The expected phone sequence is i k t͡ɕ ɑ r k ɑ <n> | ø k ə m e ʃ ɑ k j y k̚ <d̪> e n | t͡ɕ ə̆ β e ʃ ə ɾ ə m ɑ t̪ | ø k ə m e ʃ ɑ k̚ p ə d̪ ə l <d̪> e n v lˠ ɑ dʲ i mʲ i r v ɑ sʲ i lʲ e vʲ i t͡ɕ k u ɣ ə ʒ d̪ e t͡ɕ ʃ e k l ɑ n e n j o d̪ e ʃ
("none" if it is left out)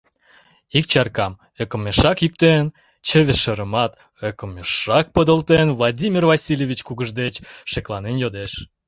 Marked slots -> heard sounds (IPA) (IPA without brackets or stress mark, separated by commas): m, t̪, t̪